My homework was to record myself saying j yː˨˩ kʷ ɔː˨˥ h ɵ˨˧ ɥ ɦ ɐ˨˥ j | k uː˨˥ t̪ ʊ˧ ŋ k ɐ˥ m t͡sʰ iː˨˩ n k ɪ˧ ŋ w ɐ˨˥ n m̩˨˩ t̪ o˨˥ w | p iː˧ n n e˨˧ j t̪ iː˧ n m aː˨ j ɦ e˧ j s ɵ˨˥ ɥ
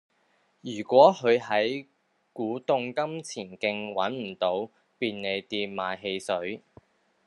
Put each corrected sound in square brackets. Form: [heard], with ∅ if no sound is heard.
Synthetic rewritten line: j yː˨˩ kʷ ɔː˨˥ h ɵ˨˧ ɥ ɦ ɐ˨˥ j | k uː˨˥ t̪ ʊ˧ ŋ k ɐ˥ m t͡sʰ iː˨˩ n k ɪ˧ ŋ w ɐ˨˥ n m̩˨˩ t̪ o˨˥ w | p iː˧ n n e˨˧ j t̪ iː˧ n m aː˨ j ɦ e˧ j s ɵ˨˥ ɥ